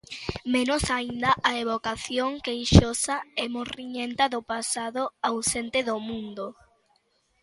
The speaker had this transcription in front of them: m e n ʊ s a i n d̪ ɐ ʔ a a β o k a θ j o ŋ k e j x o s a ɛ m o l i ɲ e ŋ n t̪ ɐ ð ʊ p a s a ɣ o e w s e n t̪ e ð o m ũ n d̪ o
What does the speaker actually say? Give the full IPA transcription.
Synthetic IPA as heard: m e n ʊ s a i n d̪ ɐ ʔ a e β o k a θ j o ŋ k e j ʃ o s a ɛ m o r i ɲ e n t̪ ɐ ð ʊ p a s a ð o a w s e n t̪ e ð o m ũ n d̪ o